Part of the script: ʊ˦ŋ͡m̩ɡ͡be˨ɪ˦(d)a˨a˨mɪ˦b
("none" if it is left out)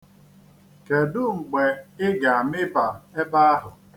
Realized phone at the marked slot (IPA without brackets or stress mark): ɡ